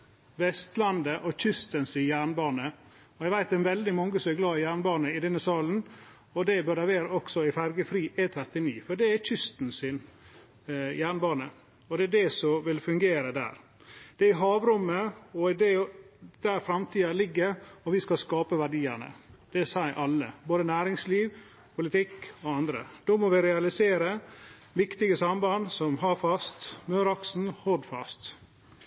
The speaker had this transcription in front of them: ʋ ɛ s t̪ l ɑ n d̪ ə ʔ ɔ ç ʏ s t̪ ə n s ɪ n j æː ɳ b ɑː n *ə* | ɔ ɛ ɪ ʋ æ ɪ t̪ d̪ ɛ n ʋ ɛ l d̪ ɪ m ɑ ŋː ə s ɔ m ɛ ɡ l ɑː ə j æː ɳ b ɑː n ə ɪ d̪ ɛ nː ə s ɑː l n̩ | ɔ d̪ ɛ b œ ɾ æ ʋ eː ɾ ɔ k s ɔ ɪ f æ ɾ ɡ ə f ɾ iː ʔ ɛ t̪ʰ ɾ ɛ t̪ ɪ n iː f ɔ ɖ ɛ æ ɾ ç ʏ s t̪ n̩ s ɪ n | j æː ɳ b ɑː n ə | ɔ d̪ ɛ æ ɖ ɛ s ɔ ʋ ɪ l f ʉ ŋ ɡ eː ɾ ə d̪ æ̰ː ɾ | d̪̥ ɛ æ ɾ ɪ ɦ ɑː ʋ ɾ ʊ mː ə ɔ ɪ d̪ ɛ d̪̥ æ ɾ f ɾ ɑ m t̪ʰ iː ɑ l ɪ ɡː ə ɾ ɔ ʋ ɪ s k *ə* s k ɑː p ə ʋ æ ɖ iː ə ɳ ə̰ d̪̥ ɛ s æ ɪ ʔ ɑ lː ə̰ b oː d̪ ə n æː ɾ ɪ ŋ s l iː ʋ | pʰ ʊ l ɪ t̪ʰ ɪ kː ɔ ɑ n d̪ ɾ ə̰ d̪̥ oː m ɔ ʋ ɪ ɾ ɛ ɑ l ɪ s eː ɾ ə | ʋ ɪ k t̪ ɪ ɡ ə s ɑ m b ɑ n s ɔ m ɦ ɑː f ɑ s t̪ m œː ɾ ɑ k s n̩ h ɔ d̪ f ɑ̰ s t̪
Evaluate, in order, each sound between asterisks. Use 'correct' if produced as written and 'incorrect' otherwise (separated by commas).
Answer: correct, incorrect